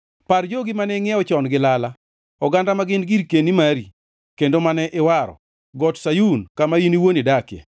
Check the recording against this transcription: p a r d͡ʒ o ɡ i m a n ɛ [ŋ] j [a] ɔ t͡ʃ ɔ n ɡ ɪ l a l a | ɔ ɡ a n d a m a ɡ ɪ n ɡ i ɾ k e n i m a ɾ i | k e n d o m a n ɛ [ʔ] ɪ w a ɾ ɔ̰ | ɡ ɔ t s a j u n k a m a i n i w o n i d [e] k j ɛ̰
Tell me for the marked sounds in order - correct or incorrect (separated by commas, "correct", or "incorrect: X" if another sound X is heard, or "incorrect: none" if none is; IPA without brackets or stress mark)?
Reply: correct, incorrect: ɛ, correct, incorrect: a